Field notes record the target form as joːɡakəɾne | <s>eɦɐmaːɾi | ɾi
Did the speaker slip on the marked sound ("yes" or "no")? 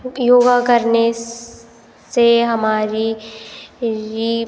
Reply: no